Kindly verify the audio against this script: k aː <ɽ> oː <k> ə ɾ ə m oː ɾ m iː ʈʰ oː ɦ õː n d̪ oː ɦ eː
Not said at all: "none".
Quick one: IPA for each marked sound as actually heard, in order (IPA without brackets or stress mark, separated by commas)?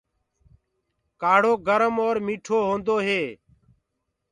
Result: ɽ, ɡ